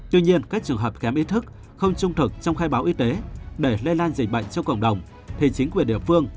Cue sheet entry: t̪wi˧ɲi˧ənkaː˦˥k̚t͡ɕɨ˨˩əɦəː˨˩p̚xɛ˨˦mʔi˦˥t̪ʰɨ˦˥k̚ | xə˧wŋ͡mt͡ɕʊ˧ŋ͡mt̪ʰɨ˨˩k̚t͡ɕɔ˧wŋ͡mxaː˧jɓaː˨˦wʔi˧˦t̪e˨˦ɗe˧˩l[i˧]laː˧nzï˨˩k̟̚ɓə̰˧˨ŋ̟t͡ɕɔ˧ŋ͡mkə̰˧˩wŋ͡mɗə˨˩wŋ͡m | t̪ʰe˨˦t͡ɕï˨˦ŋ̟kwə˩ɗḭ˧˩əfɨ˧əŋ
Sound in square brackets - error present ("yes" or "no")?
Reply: yes